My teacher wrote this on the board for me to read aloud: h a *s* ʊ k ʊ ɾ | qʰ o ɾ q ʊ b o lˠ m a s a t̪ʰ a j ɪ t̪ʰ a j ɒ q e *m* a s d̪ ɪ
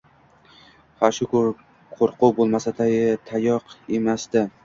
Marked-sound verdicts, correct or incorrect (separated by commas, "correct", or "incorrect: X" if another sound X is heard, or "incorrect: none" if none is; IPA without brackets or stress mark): incorrect: ʃ, correct